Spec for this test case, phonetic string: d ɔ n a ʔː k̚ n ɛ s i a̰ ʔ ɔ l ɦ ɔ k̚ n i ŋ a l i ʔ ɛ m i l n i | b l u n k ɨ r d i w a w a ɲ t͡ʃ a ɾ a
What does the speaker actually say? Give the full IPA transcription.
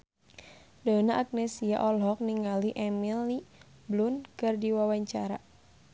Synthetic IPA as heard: d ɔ n a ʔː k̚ n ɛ s i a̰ ʔ ɔ l ɦ ɔ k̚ n i ŋ a l i ʔ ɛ m i l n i | b l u n k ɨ r d i w a w a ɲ t͡ʃ a ɾ a